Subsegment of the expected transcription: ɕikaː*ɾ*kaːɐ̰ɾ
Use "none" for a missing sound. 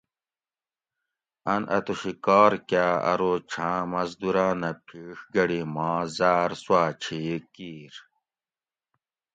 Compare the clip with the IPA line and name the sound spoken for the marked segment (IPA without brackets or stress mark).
ɾ